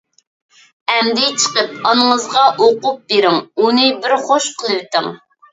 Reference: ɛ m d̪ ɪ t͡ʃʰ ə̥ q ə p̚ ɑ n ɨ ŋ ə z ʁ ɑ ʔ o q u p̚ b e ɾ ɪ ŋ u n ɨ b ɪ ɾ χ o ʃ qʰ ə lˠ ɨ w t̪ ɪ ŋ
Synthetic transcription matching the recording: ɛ m d̪ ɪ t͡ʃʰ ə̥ q ə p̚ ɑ n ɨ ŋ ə z ʁ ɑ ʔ o q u p̚ b e ɾ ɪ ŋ u n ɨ b ɪ ɾ χ o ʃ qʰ ə lˠ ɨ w t̪ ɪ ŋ